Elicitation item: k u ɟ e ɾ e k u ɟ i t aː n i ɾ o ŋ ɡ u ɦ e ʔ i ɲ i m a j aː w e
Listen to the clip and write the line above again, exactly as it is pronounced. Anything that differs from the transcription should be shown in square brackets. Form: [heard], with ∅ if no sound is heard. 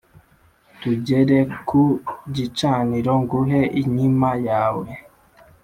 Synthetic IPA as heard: [t] u ɟ e ɾ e k u ɟ i [t͡ʃ] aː n i ɾ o ŋ ɡ u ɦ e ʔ i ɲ i m a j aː w e